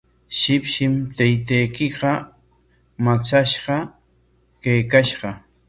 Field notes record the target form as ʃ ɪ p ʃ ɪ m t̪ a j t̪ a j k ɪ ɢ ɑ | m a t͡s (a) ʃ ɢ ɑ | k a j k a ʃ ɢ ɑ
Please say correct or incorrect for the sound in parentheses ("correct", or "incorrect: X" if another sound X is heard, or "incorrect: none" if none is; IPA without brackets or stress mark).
correct